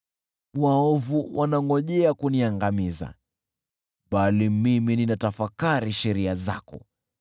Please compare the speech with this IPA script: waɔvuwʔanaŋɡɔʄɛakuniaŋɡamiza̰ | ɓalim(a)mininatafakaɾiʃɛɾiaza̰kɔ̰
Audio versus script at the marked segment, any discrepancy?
yes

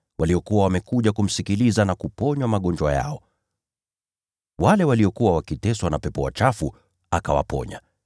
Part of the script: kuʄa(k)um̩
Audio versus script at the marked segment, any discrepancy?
no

